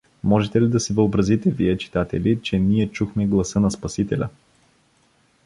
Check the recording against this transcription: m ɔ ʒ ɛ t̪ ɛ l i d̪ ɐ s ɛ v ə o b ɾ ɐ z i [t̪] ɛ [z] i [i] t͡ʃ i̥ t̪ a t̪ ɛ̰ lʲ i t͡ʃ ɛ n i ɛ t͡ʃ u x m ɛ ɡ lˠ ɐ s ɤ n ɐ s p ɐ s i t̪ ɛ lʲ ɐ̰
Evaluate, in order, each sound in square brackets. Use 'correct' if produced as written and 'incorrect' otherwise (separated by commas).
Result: correct, incorrect, incorrect